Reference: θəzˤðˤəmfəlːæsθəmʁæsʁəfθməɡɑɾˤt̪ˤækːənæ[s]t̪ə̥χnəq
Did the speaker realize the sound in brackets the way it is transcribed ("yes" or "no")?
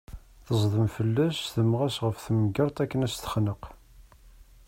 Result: yes